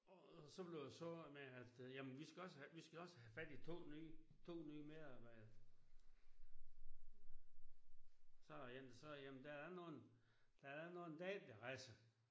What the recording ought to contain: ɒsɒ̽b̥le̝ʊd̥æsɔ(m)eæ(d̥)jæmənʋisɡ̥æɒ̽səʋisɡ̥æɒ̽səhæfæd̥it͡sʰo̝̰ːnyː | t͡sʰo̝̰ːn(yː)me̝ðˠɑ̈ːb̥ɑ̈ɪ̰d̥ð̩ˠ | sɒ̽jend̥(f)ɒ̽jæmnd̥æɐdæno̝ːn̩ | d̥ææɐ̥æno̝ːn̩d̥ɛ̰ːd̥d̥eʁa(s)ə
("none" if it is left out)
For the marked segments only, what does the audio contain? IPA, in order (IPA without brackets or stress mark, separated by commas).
m, d̥, yː, s, s